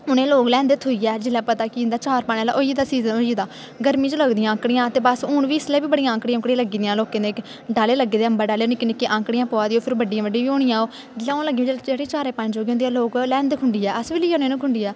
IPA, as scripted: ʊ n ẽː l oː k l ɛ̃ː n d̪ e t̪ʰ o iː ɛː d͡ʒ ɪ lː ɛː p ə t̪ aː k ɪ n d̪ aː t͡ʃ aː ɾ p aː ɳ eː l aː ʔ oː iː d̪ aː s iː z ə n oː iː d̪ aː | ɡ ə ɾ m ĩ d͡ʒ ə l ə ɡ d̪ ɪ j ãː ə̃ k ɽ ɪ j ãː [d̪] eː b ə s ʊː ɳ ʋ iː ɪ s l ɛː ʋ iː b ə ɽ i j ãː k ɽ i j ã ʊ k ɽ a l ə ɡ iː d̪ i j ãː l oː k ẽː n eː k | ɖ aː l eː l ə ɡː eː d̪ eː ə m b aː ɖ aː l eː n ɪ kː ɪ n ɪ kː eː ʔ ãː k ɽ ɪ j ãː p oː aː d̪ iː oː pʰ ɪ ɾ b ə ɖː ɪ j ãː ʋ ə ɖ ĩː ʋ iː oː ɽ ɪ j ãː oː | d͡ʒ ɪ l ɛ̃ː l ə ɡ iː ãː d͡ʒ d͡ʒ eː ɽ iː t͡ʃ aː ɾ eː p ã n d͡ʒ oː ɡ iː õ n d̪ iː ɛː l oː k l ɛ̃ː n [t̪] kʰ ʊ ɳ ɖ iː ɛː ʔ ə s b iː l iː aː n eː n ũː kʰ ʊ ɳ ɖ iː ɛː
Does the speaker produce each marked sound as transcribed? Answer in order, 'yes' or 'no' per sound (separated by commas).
no, no